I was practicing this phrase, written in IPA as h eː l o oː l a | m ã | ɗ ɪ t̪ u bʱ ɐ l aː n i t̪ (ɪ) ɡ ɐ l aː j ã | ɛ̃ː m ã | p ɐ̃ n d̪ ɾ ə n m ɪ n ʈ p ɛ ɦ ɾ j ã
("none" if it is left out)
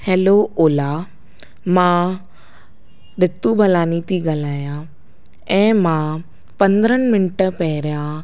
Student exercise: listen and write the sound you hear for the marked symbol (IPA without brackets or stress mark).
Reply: i